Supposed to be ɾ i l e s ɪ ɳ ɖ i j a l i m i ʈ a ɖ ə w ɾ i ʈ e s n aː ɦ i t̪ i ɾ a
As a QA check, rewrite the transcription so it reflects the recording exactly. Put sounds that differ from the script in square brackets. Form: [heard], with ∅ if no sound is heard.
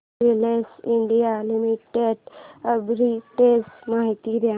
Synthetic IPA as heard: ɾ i l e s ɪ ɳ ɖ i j a l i m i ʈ [e] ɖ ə [b] ɾ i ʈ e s [m] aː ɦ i t̪ i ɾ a